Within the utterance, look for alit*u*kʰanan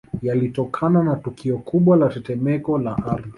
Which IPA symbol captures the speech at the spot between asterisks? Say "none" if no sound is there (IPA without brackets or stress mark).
ɔ